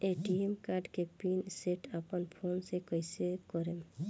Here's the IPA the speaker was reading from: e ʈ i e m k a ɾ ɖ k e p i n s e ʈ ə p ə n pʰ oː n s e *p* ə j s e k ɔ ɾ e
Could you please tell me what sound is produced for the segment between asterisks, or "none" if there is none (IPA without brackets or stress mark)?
k